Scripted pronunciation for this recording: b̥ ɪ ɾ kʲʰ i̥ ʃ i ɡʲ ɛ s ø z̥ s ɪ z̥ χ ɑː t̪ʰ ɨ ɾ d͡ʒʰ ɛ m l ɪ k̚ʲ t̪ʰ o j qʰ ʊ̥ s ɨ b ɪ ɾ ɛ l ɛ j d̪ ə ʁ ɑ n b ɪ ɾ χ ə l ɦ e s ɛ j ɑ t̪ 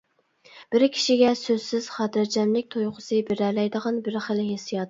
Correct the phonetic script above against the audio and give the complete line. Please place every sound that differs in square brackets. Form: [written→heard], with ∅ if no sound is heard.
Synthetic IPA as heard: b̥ ɪ ɾ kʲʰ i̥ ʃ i ɡʲ ɛ s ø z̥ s ɪ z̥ χ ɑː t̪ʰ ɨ ɾ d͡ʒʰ ɛ m l ɪ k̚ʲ t̪ʰ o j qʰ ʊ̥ s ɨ b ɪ ɾ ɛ l ɛ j d̪ ə ʁ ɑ n b ɪ ɾ χ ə l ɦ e s [ɛ→i] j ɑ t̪